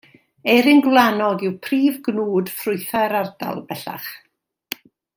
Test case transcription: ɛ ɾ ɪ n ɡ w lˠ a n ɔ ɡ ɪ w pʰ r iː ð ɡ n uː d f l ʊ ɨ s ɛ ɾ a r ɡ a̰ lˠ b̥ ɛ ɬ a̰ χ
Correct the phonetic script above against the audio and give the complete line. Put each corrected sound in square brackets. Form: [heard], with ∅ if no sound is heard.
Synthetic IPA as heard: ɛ ɾ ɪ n ɡ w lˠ a n ɔ ɡ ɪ w pʰ r iː [v] ɡ n uː d f [r] ʊ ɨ [θ] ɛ ɾ a r [d] a̰ lˠ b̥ ɛ ɬ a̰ χ